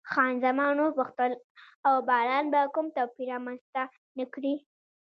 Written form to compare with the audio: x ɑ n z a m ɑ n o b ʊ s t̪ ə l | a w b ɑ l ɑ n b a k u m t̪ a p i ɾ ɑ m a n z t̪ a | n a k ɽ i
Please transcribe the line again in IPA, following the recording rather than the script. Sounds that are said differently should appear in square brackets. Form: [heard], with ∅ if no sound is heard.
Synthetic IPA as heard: x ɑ n z a m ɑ n o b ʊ [x] t̪ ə l | a w b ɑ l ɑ n b a k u m t̪ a p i ɾ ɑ m a n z t̪ a | n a k ɽ i